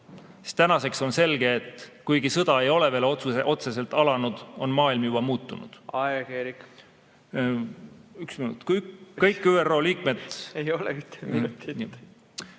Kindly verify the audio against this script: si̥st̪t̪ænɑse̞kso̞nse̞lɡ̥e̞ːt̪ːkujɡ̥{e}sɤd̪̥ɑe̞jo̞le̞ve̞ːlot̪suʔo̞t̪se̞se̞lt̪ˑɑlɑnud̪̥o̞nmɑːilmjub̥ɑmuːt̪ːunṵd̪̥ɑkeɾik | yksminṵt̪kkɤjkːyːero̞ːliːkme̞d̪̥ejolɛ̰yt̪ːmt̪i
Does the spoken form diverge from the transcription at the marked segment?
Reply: yes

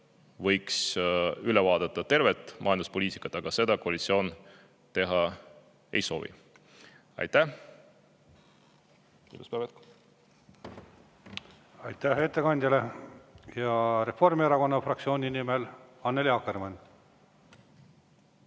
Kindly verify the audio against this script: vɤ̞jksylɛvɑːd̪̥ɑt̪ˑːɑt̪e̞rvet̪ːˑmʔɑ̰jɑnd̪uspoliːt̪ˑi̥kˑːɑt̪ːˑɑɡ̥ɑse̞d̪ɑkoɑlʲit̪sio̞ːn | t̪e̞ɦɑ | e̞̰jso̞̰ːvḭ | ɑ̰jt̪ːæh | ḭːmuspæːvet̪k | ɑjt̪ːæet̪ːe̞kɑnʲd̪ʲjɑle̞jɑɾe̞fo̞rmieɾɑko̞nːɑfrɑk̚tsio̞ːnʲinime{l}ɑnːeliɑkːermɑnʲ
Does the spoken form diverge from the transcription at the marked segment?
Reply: no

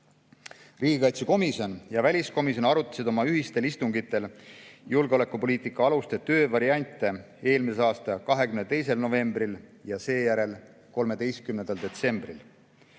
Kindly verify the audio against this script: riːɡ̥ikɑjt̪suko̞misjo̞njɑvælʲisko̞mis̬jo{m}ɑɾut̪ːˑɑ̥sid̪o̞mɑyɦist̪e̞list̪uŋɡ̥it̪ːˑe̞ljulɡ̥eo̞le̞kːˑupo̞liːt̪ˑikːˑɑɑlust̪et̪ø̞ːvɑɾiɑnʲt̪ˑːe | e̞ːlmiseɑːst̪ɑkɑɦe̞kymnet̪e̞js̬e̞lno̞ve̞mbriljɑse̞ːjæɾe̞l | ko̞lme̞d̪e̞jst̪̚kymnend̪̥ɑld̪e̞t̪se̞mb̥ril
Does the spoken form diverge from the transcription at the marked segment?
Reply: yes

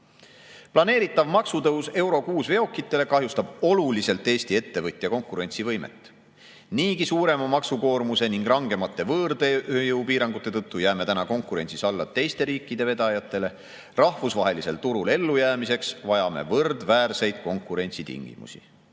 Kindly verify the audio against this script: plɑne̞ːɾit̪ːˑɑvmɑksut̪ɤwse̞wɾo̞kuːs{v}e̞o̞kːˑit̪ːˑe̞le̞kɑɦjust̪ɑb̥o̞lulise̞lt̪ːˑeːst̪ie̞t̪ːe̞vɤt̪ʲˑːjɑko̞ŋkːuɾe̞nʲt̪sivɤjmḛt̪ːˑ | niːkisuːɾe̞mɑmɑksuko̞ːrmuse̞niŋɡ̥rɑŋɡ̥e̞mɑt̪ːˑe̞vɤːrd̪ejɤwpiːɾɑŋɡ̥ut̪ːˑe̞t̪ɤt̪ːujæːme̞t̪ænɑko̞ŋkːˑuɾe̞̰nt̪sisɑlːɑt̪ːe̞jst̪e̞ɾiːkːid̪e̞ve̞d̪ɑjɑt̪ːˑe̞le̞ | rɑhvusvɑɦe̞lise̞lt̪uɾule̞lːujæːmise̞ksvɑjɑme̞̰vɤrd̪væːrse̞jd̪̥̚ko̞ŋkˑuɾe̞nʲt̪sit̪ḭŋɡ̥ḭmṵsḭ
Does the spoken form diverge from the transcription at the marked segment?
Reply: no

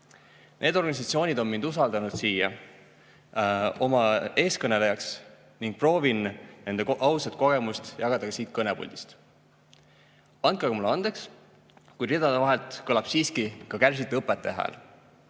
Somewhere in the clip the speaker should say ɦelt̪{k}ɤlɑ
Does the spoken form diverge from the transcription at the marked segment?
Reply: no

